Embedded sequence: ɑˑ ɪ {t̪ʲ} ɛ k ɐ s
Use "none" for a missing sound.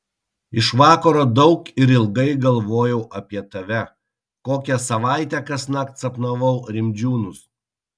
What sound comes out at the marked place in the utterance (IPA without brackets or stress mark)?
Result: t̪ʲ